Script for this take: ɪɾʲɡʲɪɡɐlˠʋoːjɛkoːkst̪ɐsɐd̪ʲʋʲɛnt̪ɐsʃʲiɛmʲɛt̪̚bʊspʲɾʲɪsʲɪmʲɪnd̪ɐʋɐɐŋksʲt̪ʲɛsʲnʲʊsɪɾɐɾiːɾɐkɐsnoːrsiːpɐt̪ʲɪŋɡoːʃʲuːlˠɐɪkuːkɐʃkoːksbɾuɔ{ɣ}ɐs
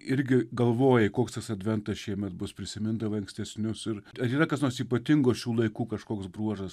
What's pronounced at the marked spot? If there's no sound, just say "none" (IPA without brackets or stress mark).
ʒ